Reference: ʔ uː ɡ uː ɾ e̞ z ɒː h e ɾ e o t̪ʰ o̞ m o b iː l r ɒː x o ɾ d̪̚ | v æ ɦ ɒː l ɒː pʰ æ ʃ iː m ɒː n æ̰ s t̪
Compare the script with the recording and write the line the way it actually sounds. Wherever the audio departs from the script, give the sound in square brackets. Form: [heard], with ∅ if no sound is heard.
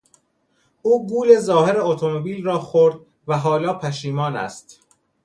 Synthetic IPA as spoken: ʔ uː ɡ uː [l] e̞ z ɒː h e ɾ e o t̪ʰ o̞ m o b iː l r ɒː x o ɾ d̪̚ | v æ ɦ ɒː l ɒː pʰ æ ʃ iː m ɒː n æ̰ s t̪